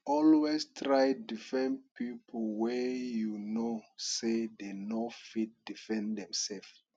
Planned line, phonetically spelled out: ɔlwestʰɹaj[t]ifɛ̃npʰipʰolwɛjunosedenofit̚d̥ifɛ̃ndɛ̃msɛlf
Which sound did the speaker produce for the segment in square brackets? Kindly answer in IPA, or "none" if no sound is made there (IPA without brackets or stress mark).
d